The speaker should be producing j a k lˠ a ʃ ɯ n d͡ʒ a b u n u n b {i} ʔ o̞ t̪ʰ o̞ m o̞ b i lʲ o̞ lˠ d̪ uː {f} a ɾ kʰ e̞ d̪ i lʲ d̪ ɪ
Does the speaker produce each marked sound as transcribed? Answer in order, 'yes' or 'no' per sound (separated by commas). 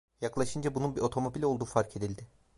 yes, yes